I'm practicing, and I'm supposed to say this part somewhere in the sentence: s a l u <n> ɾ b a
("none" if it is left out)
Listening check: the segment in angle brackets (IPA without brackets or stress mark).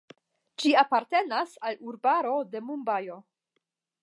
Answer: none